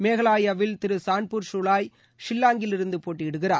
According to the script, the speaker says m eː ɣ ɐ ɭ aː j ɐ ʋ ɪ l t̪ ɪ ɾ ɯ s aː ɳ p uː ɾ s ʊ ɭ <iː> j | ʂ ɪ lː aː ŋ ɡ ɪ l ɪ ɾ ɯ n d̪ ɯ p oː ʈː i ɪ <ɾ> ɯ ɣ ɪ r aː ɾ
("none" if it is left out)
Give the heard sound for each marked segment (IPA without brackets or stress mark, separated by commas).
aː, ɽ